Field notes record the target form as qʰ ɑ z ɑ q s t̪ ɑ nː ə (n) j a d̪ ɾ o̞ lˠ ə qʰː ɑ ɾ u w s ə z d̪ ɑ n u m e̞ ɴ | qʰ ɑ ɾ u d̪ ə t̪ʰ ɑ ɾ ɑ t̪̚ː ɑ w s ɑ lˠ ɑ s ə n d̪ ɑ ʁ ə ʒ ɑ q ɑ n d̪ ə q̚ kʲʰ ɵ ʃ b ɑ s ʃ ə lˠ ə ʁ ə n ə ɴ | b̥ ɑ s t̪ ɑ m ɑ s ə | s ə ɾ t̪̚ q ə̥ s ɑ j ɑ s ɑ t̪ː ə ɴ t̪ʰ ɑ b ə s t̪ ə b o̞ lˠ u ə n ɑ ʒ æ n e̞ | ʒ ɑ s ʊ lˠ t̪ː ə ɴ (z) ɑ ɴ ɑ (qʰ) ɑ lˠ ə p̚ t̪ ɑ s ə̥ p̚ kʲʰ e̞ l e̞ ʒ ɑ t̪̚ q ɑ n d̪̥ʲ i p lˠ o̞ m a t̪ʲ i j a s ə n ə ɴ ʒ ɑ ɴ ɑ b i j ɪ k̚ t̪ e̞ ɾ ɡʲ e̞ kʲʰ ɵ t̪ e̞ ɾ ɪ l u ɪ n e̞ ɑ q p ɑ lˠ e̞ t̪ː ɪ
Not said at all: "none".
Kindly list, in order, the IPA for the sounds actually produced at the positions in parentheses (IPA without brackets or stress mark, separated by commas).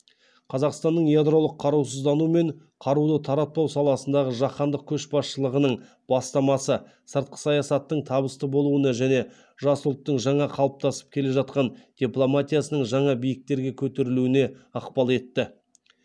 ɴ, ʒ, qʰ